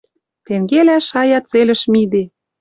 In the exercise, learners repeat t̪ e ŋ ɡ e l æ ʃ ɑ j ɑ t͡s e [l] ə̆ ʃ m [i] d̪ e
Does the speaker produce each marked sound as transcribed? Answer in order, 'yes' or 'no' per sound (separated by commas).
yes, yes